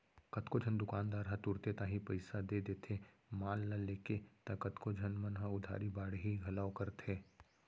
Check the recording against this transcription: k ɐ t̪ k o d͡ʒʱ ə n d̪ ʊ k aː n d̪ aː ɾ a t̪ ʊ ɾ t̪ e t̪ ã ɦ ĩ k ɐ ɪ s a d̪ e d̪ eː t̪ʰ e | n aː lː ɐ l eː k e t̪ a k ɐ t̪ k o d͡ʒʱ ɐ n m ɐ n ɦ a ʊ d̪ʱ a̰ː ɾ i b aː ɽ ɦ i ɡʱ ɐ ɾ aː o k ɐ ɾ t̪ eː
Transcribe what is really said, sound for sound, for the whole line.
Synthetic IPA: k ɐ t̪ k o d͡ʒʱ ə n d̪ ʊ k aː n d̪ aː ɾ a t̪ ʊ ɾ t̪ e t̪ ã ɦ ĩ p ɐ ɪ s a d̪ e d̪ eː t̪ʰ e | m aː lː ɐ l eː k e t̪ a k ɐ t̪ k o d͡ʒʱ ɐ n m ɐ n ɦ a ʊ d̪ʱ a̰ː ɾ i b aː ɽ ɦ i ɡʱ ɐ l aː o k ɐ ɾ t̪ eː